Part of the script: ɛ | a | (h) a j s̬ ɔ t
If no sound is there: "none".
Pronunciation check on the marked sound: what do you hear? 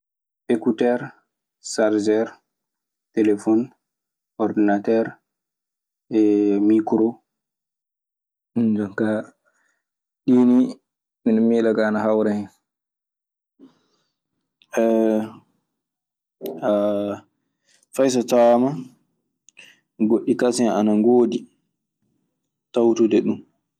f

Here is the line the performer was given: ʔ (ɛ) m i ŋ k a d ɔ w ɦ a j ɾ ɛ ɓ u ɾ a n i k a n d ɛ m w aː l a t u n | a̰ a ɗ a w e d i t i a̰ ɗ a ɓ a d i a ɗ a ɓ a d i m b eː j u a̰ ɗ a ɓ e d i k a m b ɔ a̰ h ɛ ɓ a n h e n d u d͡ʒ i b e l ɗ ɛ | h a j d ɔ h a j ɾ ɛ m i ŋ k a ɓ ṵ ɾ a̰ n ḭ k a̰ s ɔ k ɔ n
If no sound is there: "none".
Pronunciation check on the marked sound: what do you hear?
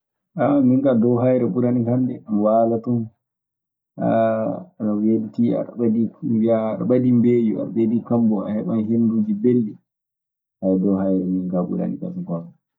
a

